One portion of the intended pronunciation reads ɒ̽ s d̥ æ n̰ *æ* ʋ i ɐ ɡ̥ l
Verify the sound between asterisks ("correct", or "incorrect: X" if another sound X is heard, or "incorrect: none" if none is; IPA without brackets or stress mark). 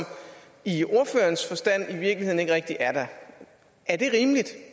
incorrect: i